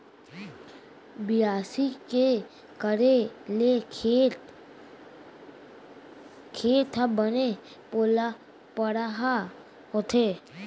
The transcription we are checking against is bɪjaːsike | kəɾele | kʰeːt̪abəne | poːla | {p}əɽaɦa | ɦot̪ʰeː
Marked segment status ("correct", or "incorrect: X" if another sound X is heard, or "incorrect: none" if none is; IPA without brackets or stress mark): correct